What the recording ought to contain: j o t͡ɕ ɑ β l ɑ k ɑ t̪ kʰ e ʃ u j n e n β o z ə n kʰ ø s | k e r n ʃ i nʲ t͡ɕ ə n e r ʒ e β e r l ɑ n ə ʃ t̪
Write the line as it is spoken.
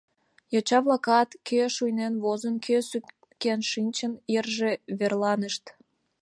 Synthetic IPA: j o t͡ɕ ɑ β l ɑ k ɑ t̪ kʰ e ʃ u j n e n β o z ə n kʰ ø s | k e n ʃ i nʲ t͡ɕ ə n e r ʒ e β e r l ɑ n ə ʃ t̪